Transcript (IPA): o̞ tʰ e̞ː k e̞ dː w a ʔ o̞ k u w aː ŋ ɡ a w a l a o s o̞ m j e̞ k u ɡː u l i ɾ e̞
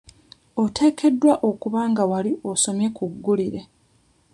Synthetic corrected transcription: o̞ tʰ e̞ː k e̞ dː w a ʔ o̞ k u β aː ŋ ɡ a w a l i o s o̞ m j e̞ k u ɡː u l i ɾ e̞